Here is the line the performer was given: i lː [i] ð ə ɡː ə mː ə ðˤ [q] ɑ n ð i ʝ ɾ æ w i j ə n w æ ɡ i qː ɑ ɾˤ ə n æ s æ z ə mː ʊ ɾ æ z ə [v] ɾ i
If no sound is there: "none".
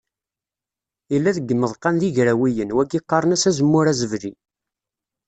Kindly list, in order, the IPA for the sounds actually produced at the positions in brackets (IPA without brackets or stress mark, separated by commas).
æ, q, v